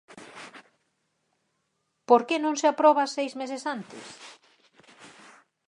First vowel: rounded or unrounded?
rounded